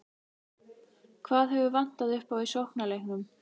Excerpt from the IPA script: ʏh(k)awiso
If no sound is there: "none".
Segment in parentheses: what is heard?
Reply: p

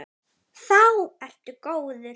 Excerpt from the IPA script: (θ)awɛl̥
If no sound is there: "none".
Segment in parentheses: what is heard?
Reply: θ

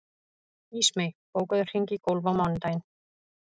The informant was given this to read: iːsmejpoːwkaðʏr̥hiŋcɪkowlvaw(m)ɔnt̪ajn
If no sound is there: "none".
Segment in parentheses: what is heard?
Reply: m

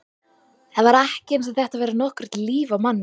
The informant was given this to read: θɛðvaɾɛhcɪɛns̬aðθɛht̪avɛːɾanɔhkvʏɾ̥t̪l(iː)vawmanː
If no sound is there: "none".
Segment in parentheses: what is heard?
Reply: iː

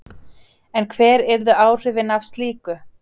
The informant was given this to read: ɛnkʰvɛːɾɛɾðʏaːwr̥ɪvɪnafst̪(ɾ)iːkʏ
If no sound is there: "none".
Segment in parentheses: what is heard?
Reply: l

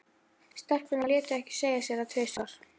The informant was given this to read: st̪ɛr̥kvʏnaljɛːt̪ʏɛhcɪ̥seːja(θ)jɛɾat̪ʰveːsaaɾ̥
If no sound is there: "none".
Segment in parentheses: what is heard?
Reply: s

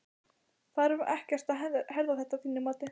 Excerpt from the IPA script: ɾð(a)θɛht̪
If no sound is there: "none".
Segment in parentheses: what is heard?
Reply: a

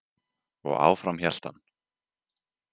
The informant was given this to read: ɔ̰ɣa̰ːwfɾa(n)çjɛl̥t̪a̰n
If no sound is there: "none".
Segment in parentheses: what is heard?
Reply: m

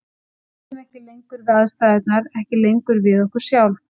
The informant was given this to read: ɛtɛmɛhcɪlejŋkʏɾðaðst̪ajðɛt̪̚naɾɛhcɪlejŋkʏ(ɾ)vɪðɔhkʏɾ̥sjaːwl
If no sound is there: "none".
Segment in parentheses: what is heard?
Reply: ɾ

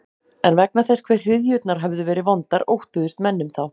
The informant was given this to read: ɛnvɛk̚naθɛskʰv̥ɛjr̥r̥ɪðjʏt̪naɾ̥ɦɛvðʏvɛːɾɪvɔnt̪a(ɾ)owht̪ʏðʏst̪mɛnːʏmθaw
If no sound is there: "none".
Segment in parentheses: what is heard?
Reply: ɾ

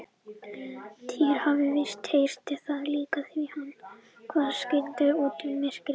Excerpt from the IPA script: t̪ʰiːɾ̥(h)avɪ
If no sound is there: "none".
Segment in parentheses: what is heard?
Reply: h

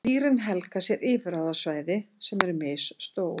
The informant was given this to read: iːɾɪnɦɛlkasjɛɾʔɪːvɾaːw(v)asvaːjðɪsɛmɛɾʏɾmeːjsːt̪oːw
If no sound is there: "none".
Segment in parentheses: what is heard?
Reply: ð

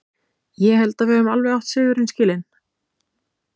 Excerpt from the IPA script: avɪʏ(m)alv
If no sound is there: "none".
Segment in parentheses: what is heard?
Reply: m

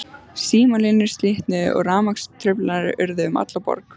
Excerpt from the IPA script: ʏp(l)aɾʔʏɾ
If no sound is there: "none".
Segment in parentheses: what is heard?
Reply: l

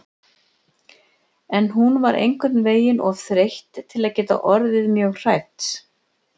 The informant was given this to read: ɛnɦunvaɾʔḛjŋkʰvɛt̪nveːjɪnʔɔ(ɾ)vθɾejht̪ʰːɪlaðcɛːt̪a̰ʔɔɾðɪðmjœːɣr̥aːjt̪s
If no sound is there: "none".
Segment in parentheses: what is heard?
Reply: none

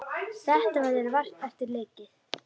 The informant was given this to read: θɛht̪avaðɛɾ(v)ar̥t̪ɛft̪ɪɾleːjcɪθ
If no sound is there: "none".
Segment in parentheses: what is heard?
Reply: v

